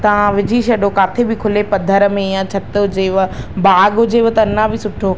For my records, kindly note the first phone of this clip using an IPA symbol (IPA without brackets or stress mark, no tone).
t̪